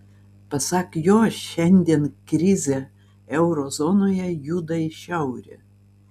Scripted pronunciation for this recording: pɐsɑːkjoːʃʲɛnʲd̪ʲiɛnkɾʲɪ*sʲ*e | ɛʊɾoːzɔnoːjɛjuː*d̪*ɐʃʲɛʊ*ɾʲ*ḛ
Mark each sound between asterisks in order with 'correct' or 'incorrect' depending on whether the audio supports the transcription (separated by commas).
incorrect, correct, correct